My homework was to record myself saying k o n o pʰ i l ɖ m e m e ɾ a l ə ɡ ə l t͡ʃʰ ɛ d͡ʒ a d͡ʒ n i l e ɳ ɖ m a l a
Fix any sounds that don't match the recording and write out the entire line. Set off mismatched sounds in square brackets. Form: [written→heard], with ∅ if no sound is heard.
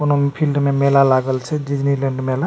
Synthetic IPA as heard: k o n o pʰ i l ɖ m e m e [ɾ→l] a l [ə→a] ɡ ə l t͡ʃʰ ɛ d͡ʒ [a→i] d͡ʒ n i l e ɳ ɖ m [a→e] l a